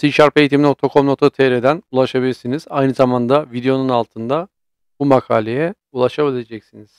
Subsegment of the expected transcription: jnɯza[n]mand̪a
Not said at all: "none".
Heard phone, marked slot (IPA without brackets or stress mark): none